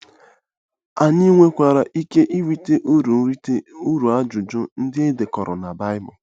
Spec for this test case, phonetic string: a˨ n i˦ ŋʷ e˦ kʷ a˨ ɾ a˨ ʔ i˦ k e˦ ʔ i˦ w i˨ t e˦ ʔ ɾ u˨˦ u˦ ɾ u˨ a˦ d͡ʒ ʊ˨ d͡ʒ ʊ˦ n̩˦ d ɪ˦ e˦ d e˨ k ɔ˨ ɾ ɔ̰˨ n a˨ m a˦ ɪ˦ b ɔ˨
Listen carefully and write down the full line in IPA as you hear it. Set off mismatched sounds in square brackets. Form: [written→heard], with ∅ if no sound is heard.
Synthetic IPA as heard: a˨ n i˦ ŋʷ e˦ kʷ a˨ ɾ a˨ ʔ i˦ k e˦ ʔ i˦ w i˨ t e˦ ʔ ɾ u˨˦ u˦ ɾ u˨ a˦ d͡ʒ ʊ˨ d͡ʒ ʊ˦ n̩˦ d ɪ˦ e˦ d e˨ k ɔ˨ ɾ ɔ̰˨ n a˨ [m→b] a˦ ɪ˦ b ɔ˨